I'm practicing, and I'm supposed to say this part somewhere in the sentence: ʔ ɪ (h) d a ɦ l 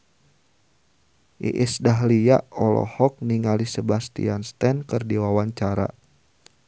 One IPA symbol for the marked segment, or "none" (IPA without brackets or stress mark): s